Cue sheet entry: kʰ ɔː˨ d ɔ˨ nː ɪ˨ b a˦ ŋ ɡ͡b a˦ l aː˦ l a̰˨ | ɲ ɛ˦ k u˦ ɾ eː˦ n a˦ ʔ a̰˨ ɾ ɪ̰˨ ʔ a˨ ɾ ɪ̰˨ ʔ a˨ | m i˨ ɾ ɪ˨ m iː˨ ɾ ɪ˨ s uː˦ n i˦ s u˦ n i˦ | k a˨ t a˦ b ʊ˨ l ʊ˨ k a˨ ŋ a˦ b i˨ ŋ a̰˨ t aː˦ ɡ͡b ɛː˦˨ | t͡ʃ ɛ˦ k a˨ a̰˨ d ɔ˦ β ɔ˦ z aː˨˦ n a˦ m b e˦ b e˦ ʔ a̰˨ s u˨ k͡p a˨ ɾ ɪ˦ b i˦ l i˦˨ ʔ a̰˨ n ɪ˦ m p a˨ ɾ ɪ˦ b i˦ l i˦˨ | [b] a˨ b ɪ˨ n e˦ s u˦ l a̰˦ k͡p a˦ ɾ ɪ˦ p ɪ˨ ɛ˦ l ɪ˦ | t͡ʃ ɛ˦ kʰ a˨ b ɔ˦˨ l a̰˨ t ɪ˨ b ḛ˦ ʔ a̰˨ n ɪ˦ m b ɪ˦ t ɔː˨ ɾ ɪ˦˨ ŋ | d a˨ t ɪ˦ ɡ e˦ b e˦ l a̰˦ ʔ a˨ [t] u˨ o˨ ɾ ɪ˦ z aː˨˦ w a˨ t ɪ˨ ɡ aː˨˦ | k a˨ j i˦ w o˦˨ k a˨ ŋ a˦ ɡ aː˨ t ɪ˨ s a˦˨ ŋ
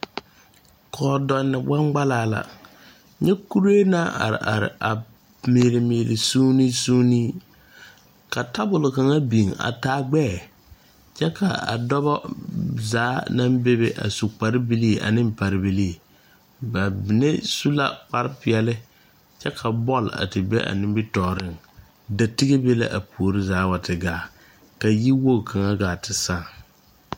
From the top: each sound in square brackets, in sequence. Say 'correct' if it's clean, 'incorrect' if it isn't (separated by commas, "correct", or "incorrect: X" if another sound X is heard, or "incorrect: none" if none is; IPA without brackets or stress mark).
correct, incorrect: p